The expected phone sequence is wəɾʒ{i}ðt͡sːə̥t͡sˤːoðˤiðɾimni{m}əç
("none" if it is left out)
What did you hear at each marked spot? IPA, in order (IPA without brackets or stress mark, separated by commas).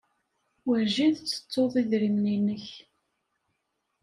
i, n